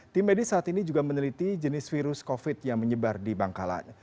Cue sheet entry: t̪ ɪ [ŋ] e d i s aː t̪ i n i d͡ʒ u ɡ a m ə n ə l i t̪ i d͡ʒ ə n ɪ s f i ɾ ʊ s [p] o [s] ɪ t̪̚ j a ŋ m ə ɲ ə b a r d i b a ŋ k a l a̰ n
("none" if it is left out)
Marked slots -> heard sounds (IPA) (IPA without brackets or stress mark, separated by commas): m, k, f